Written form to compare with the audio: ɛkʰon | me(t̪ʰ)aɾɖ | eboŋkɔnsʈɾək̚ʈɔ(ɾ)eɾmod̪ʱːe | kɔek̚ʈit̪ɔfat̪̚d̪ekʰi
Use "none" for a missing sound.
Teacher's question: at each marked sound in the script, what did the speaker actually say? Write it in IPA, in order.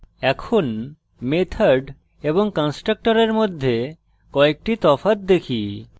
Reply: t̪ʰ, ɾ

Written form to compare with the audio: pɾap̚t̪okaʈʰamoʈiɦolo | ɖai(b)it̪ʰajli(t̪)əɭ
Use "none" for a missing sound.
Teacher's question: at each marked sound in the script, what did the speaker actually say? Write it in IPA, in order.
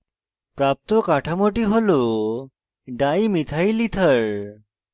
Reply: m, t̪ʰ

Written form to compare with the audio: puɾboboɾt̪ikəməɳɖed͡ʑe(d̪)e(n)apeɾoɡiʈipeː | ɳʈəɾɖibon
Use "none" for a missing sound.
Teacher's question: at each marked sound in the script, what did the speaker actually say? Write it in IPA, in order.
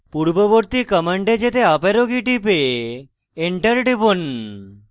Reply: t̪, none

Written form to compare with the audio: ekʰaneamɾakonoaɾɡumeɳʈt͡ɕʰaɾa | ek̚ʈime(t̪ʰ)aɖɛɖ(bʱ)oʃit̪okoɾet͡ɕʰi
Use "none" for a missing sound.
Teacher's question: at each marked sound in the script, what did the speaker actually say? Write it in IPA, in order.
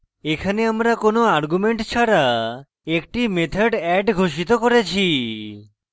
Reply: t̪ʰ, ɡʱ

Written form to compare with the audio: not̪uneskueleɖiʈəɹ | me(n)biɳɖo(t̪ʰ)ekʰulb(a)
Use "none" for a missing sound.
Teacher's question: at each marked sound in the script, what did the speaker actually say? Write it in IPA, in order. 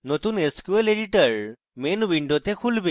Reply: n, t̪, e

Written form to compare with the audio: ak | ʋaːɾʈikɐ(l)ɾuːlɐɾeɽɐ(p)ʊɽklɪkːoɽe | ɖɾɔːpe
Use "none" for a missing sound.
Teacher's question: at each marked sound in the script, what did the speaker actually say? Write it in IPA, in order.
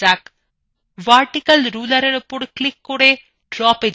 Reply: l, p

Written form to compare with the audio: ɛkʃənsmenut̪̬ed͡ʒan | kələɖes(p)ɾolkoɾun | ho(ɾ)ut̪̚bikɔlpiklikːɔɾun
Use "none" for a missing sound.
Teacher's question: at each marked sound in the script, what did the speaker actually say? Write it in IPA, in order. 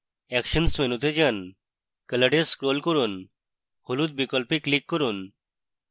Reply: k, l

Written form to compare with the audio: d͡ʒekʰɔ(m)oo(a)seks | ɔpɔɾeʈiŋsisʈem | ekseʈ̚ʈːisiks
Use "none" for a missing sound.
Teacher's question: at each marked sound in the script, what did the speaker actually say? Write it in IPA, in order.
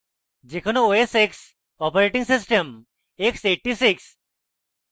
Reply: n, e

